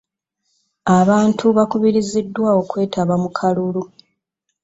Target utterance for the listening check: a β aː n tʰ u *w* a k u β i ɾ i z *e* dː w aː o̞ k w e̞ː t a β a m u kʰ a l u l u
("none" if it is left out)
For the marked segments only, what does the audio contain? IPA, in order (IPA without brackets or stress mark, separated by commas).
β, i